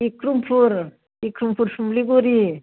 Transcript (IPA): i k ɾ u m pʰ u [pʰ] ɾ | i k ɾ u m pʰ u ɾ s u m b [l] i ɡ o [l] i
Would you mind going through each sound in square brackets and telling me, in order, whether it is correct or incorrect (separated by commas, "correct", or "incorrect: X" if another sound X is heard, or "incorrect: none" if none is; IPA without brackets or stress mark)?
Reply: incorrect: none, correct, incorrect: ɾ